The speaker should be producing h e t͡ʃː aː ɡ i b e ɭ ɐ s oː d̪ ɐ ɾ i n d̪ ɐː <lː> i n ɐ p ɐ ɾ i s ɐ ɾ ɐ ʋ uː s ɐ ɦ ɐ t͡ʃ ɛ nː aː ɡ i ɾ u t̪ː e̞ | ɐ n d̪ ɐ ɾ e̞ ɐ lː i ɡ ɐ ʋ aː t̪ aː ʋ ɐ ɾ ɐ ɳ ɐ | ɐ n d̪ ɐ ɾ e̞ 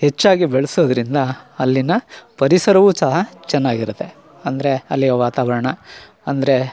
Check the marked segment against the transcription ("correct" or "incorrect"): correct